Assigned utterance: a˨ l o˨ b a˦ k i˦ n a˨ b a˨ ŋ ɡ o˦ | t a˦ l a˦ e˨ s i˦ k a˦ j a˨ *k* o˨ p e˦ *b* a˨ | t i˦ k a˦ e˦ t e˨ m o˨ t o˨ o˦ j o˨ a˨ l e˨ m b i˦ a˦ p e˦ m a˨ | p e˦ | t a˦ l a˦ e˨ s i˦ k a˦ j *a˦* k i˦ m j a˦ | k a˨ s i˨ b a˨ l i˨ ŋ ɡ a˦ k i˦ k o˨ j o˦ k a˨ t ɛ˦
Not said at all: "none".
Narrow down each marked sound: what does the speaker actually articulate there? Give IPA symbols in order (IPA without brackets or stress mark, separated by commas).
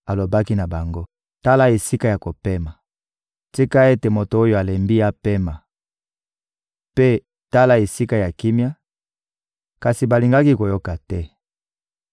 k, m, a˨